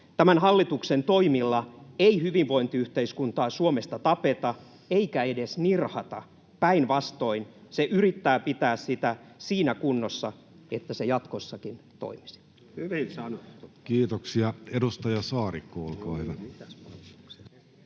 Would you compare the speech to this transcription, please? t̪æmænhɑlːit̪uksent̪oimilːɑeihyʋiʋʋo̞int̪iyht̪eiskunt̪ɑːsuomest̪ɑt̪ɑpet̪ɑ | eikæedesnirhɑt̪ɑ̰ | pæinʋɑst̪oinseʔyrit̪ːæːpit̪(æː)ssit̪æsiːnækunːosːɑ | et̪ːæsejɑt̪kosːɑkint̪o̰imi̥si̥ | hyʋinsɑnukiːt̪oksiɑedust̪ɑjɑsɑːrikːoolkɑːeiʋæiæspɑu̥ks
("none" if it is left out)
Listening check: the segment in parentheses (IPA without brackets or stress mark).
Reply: æː